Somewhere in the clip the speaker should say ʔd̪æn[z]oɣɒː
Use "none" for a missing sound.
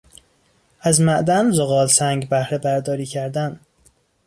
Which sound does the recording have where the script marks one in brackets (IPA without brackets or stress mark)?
z